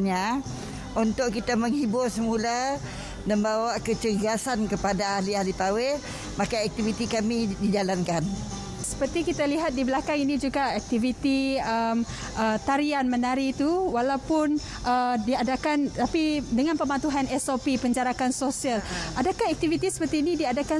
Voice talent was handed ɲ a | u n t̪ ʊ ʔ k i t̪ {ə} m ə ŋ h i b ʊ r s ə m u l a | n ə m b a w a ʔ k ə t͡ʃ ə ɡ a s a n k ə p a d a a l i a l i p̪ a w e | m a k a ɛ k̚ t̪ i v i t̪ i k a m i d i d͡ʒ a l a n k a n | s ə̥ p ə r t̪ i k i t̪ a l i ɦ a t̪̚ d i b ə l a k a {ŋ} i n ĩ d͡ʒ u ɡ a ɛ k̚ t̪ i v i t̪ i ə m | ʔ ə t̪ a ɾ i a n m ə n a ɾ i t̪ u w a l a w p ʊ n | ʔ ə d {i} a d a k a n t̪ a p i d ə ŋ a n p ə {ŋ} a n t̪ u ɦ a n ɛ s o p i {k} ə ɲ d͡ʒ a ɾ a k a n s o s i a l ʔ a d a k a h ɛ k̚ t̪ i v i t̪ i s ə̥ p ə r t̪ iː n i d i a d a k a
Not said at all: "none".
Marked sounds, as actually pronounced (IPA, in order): a, ŋ, i, m, p

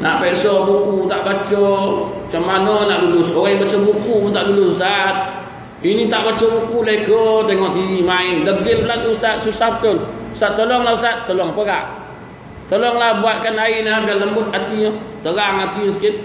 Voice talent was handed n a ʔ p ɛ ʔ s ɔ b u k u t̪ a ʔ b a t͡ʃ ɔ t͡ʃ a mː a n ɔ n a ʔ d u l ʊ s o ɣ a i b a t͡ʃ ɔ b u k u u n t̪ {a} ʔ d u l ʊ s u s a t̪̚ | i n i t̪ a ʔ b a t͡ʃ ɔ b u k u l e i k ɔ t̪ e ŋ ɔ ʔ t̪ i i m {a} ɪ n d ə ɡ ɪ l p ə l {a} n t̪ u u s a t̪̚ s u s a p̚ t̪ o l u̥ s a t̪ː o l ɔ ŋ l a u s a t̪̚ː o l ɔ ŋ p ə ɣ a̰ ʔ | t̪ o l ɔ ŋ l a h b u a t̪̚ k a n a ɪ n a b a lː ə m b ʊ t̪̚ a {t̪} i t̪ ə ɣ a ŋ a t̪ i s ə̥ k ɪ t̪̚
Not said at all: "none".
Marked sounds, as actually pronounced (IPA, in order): a, a, a, t̪

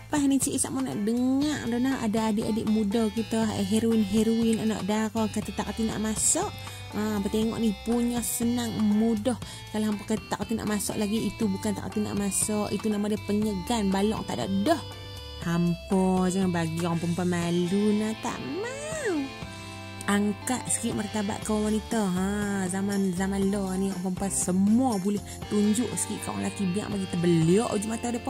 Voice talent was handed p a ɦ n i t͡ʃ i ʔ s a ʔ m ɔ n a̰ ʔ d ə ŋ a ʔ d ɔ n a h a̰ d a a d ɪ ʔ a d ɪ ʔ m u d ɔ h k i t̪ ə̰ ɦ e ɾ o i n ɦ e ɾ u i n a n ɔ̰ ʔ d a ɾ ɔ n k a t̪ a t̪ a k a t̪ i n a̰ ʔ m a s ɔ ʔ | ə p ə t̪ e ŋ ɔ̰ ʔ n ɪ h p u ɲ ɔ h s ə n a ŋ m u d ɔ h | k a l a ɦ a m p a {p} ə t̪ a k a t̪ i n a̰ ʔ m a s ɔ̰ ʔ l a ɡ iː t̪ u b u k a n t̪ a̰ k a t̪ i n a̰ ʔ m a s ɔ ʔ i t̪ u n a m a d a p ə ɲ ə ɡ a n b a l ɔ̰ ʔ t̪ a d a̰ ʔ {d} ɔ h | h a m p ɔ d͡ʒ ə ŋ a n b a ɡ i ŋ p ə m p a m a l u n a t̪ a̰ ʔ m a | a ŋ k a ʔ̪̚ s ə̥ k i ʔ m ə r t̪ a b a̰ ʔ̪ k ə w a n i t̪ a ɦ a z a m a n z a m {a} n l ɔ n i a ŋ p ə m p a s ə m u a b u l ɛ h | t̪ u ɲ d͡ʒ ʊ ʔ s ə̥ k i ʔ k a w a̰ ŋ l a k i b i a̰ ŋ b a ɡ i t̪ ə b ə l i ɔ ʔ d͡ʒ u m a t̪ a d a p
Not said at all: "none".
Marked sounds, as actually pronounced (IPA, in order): k, d, a

